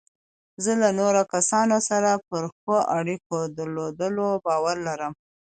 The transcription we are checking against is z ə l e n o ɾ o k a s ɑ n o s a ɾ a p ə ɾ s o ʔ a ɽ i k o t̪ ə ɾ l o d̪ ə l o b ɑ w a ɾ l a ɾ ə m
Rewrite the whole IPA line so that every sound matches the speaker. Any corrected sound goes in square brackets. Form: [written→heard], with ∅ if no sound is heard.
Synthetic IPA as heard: z ə l [e→a] n o ɾ o k a s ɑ n o s a ɾ a p ə ɾ [s→x] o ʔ a ɽ i k o [t̪→d̪] ə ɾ l o d̪ ə l o b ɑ w a ɾ l a ɾ ə m